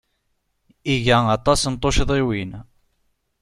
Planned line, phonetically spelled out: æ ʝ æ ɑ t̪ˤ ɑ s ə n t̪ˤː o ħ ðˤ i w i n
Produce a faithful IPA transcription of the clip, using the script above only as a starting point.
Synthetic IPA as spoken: i ʝ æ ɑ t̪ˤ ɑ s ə n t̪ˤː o ʃ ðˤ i w i n

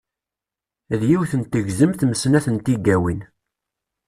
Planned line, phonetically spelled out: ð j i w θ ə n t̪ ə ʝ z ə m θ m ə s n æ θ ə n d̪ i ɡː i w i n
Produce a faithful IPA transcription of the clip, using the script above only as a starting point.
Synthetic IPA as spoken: ð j i w θ ə n t̪ ə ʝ z ə m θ m ə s n æ θ ə n t̪ i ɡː æ w i n

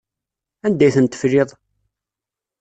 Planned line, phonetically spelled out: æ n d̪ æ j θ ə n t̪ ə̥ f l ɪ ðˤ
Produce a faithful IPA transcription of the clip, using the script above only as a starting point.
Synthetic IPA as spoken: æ n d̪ æ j θ ə n t̪ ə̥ f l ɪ ðˤ

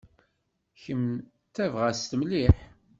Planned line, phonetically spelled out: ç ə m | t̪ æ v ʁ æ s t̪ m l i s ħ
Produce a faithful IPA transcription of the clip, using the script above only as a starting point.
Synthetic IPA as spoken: ç ə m | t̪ æ v ʁ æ s t̪ m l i ħ

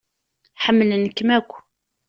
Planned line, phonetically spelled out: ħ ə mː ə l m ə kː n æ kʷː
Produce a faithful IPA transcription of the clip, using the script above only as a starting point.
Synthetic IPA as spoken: ħ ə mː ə l n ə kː m æ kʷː

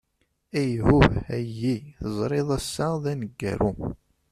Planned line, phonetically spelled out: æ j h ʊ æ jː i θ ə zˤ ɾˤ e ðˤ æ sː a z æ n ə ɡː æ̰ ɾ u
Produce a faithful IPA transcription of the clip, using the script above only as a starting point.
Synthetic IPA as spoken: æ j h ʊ æ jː i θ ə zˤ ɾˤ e ðˤ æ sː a ð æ n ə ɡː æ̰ ɾ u

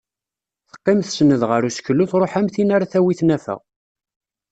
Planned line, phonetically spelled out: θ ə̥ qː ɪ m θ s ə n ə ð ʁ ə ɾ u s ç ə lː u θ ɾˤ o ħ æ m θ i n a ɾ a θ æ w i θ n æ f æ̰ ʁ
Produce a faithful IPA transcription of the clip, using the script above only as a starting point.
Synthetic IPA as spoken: θ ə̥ qː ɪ m θ s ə n ə ð ʁ ə ɾ u s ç ə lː u θ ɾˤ o ħ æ m θ i n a ɾ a θ æ w i θ n æ f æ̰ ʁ

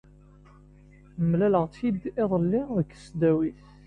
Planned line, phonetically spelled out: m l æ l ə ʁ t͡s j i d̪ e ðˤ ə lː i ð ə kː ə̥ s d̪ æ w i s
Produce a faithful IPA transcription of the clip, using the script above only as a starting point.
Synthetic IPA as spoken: m l æ l ə ʁ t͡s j i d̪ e ðˤ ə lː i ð ə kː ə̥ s d̪ æ w i θ

